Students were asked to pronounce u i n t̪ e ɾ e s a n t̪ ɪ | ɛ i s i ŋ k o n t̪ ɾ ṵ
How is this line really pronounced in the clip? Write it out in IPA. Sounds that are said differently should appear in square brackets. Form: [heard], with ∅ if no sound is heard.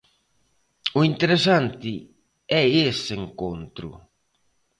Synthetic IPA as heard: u i n t̪ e ɾ e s a n t̪ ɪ | ɛ [e] s [e] ŋ k o n t̪ ɾ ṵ